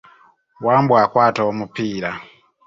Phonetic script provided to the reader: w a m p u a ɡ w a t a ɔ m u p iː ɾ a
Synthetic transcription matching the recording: w a m b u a k w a t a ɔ m u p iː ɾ a